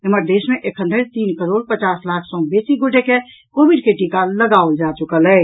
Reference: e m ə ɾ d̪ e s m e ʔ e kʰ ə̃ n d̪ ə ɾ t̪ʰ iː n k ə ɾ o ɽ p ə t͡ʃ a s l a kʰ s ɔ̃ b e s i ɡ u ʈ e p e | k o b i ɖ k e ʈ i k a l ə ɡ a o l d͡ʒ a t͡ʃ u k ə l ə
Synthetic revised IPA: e m ə ɾ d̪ e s m e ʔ e kʰ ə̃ n d̪ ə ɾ t̪ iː n k ə ɾ o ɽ p ə t͡ʃ a s l a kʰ s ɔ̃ b e s i ɡ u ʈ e k e | k o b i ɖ k e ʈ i k a l ə ɡ a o l d͡ʒ a t͡ʃ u k ə l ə